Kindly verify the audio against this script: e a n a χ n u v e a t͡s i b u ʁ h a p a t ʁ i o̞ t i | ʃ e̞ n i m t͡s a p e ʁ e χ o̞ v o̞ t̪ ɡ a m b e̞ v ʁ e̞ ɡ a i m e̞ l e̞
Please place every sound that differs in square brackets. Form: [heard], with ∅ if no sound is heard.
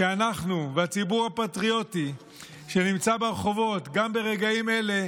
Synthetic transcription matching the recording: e a n a χ n u v e a t͡s i b u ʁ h a p a t ʁ i o̞ t i | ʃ e̞ n i m t͡s a [b] e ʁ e χ o̞ v o̞ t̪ ɡ a m b e̞ [∅] ʁ e̞ ɡ a i m e̞ l e̞